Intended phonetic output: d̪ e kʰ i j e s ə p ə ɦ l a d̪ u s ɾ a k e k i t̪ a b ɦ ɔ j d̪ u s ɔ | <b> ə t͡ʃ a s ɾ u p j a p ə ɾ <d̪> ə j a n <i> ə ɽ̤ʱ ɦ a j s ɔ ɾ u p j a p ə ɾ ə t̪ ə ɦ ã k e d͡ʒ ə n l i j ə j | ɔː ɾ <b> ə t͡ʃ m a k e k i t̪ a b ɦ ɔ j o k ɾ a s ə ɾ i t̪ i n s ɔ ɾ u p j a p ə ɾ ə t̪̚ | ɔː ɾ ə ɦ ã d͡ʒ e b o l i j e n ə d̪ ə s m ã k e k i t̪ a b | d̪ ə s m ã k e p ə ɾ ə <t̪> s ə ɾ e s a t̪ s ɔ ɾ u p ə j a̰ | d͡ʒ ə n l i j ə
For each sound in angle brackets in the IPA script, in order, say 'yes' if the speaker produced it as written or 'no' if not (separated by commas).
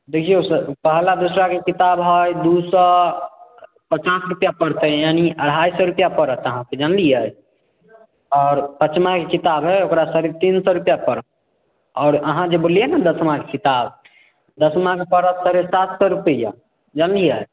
no, no, yes, no, yes